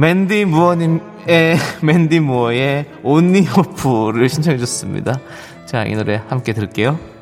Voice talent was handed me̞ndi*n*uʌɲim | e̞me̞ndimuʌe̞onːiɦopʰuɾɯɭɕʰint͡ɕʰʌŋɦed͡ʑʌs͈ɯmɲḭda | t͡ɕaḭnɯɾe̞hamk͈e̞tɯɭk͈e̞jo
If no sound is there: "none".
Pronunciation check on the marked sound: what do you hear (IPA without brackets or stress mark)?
m